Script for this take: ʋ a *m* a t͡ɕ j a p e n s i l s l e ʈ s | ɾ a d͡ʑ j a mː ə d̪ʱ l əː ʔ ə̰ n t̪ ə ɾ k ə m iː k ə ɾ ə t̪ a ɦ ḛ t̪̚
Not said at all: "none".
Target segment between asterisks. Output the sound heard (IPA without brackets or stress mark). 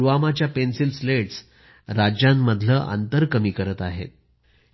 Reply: m